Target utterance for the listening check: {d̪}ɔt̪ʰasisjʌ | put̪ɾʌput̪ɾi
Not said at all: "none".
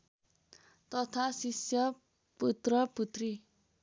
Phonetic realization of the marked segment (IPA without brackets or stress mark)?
t̪